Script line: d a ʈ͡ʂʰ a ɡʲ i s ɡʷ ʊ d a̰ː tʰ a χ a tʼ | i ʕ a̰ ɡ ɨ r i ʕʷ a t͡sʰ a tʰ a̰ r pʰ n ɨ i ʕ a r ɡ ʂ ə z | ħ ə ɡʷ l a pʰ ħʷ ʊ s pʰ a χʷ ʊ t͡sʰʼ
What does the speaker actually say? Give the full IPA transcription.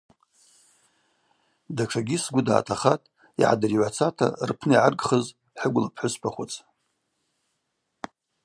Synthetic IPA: d a ʈ͡ʂʰ a ɡʲ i s ɡʷ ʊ d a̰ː tʰ a χ a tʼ | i ʕ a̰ d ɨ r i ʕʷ a t͡sʰ a tʰ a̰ r pʰ n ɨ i ʕ a r ɡ χ ə z | ħ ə ɡʷ l a pʰ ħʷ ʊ s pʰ a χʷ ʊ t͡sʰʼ